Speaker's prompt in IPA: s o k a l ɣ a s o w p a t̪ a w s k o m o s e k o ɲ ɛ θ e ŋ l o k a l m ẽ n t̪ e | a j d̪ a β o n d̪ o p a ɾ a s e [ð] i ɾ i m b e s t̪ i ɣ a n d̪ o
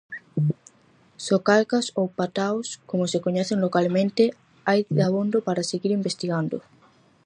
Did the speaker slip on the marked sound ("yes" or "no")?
yes